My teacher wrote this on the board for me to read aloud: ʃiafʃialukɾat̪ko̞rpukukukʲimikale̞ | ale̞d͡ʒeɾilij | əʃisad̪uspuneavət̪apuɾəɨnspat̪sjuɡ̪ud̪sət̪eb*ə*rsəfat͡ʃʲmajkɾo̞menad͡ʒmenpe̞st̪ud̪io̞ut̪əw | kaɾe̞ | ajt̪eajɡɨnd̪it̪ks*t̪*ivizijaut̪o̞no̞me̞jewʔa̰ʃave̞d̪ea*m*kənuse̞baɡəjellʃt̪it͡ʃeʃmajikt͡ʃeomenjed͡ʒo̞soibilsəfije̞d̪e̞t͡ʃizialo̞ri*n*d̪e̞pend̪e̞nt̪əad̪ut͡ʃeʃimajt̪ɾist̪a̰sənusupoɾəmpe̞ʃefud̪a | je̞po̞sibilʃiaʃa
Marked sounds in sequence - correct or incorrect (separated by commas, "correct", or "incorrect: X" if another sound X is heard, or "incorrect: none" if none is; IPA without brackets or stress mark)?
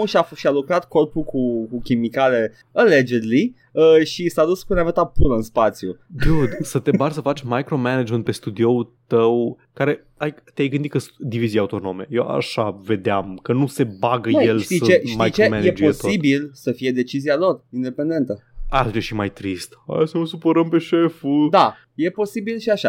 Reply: incorrect: a, incorrect: d̪, correct, correct